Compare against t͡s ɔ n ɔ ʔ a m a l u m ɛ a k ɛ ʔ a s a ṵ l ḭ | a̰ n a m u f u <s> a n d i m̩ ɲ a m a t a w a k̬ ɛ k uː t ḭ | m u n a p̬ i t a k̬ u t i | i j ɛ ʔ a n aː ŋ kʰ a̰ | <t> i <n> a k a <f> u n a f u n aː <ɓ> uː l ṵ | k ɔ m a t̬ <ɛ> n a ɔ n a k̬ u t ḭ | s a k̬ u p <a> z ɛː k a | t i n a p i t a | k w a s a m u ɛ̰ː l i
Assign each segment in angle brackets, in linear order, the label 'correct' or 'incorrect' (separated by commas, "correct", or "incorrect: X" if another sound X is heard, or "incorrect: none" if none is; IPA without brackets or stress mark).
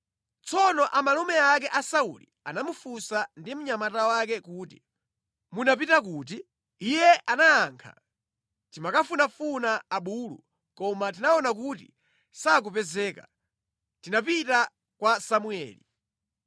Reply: correct, correct, incorrect: m, correct, correct, incorrect: i, incorrect: ɛ